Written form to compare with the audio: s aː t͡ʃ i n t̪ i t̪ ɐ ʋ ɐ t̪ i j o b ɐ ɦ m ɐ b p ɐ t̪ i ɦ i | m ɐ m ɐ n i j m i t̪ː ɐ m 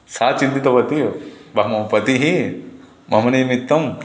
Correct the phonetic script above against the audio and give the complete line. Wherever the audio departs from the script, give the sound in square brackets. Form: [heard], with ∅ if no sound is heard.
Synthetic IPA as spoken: s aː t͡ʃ i n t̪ i t̪ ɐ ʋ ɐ t̪ i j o b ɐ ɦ m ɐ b p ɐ t̪ i ɦ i | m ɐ m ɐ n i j m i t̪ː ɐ m